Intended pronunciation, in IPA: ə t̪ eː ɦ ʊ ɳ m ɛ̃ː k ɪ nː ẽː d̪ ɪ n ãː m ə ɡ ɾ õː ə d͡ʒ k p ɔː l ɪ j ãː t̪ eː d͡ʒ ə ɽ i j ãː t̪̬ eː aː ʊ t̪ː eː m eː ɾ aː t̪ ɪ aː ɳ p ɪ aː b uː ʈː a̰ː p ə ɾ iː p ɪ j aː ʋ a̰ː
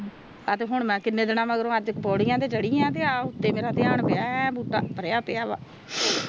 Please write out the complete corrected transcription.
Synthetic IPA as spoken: ə t̪ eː ɦ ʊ ɳ m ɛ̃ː k ɪ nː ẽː d̪ ɪ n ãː m ə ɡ ɾ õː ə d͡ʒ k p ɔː ɽ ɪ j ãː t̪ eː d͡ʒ ə ɽ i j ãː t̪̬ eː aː ʊ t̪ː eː m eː ɾ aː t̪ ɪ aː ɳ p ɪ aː b uː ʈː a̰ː p ə ɾ aː p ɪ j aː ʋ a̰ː